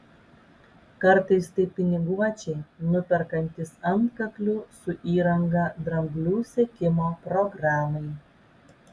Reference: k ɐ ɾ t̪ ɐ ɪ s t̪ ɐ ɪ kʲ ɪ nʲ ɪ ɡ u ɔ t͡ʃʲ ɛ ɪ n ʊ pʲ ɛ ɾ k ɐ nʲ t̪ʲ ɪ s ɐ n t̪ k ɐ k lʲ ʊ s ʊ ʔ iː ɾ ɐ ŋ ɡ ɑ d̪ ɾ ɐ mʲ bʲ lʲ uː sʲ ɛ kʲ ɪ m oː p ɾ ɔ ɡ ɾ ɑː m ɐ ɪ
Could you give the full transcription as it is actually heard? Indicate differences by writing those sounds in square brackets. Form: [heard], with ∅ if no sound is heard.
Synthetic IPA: k ɐ ɾ t̪ ɐ ɪ s t̪ ɐ ɪ [pʲ] ɪ nʲ ɪ ɡ u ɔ t͡ʃʲ ɛ ɪ n ʊ pʲ ɛ ɾ k ɐ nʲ t̪ʲ ɪ s ɐ n t̪ k ɐ k lʲ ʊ s ʊ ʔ iː ɾ ɐ ŋ ɡ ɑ d̪ ɾ ɐ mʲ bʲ lʲ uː sʲ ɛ kʲ ɪ m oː p ɾ ɔ ɡ ɾ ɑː m ɐ ɪ